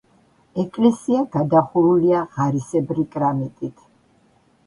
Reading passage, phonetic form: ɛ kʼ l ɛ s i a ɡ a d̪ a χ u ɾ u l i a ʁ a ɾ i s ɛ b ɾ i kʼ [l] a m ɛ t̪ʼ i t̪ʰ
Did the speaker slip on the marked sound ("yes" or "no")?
yes